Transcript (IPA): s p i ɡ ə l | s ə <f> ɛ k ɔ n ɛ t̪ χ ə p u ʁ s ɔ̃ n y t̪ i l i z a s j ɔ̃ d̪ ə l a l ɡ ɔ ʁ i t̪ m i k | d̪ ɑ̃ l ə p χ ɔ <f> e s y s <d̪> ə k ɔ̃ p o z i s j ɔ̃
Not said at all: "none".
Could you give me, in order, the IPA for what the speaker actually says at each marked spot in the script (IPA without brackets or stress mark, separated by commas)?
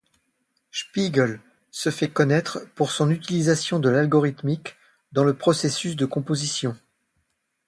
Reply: f, s, d̪